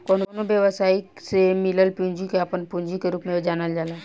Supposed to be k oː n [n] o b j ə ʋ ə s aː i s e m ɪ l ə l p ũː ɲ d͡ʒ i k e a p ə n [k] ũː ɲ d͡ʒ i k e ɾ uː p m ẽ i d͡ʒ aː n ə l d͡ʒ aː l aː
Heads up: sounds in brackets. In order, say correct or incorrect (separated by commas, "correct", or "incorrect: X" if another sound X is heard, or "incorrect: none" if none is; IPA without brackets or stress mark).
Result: correct, incorrect: p